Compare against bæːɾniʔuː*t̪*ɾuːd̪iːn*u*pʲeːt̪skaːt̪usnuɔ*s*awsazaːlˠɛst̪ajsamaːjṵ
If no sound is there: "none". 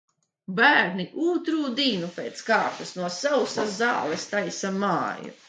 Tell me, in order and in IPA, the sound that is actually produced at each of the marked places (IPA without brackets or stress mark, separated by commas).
t̪, u, s